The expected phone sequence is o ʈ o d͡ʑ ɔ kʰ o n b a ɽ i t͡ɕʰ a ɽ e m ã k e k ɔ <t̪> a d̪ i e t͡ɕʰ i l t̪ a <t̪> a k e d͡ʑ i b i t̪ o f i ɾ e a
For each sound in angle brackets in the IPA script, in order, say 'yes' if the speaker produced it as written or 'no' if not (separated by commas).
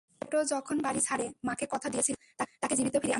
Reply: no, yes